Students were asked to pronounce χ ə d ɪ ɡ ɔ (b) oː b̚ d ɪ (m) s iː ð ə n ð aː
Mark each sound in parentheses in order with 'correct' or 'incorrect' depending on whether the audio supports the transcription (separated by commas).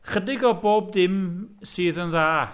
correct, correct